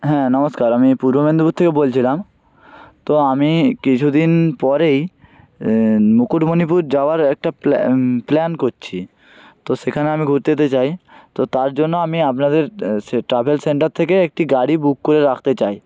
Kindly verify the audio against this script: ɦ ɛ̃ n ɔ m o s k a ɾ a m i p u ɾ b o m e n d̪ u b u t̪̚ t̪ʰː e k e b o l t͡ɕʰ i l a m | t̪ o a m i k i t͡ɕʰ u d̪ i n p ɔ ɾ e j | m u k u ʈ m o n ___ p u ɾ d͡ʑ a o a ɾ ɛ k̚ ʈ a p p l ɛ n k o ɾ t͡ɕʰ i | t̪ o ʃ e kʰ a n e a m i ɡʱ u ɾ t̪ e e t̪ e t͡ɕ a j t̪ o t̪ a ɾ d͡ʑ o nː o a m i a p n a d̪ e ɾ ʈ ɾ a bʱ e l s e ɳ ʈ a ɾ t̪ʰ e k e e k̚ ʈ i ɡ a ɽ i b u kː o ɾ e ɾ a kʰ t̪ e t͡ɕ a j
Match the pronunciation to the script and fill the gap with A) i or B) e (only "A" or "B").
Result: A